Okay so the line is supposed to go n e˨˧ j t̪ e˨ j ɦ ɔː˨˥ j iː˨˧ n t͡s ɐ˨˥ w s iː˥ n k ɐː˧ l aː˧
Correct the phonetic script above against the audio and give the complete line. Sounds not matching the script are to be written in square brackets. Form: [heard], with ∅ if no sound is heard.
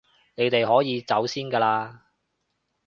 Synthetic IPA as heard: n e˨˧ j t̪ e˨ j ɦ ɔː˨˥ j iː˨˧ [∅] t͡s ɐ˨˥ w s iː˥ n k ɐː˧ l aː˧